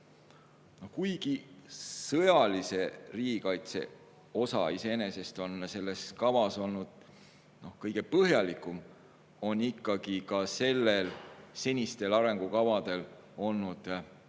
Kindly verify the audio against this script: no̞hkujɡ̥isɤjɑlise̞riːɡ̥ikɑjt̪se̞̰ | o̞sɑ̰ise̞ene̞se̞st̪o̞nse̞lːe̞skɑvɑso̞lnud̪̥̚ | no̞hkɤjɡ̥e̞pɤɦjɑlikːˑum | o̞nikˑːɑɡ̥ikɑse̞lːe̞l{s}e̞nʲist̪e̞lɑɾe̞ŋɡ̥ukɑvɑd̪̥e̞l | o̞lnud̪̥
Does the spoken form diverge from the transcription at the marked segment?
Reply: no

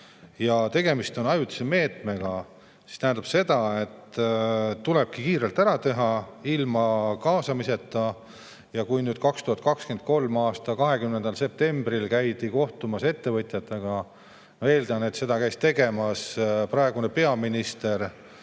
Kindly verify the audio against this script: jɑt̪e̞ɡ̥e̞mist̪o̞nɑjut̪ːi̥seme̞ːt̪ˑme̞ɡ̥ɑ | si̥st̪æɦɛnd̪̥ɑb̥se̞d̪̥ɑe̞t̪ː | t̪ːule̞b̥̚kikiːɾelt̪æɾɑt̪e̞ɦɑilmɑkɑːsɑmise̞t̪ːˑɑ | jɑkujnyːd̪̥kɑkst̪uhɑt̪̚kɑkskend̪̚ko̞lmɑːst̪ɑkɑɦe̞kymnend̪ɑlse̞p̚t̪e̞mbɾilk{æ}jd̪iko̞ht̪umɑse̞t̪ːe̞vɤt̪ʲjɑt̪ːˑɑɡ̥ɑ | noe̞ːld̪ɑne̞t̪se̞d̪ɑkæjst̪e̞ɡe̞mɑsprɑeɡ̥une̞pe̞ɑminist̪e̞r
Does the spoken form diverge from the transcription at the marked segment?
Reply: no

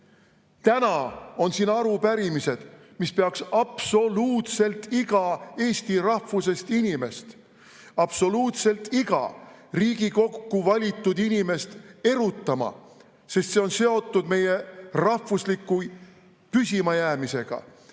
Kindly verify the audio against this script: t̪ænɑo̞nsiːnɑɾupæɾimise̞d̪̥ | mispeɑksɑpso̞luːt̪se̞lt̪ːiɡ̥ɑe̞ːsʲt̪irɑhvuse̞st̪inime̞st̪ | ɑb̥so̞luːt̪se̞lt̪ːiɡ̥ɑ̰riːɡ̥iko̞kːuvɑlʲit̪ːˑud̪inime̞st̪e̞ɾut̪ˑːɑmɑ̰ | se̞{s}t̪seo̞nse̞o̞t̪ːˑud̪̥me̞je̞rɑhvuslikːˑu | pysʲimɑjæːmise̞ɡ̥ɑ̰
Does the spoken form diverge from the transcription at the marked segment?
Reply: no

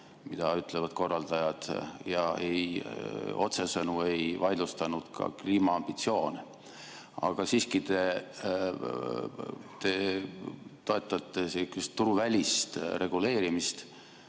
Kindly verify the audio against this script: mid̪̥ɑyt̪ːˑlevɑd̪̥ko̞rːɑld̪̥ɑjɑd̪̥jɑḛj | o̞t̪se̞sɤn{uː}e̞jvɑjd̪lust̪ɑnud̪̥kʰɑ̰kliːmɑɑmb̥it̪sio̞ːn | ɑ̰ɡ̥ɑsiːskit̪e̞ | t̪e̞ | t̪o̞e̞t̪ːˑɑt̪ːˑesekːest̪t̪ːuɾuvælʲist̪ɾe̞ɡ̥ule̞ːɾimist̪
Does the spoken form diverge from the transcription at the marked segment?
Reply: yes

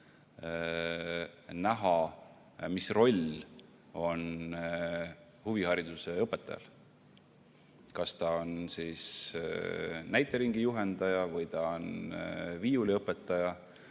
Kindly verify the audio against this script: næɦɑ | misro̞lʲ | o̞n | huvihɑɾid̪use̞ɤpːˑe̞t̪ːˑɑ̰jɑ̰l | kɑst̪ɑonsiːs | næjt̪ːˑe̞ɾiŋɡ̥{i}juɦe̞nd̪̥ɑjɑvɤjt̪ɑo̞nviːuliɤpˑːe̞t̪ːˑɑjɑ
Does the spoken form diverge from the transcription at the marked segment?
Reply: no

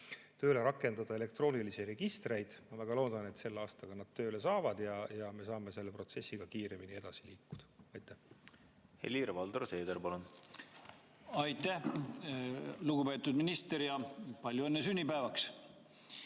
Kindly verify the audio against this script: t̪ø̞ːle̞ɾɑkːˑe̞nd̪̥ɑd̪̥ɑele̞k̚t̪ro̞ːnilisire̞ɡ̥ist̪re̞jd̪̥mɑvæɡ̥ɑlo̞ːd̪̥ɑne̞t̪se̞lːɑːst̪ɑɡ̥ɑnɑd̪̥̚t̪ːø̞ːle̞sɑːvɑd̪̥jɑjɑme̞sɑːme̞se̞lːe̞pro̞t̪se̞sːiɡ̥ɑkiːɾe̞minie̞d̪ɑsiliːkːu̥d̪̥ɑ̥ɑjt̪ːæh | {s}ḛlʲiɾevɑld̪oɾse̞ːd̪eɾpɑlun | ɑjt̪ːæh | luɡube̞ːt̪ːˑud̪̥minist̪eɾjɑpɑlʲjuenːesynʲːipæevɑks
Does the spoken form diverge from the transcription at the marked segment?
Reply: yes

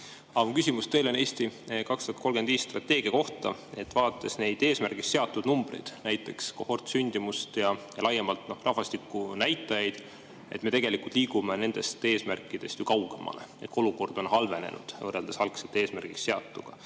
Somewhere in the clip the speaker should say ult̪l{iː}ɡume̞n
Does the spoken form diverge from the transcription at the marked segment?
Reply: no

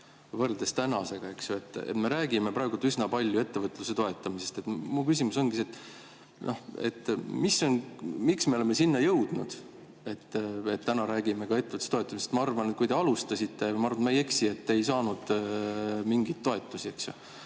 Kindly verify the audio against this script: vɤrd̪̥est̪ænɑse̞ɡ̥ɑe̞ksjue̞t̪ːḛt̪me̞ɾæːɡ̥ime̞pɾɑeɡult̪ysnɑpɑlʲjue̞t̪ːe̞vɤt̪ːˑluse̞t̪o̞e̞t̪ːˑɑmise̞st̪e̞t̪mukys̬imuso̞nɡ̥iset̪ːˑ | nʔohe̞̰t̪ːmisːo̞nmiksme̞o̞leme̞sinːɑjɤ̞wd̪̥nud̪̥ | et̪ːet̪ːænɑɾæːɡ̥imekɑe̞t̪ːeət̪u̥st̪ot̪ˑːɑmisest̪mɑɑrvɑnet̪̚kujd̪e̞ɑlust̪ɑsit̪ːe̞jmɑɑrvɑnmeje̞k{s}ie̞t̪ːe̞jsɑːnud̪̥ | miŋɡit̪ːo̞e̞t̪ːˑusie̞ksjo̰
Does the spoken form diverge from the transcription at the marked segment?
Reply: no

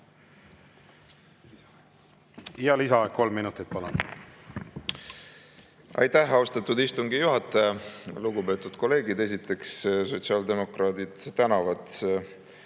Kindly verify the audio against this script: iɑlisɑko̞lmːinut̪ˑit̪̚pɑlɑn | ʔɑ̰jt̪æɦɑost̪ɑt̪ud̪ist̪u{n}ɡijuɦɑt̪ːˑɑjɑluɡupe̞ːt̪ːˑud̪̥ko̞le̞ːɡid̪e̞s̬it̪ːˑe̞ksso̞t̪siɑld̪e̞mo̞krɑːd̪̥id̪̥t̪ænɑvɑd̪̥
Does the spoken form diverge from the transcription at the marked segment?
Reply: yes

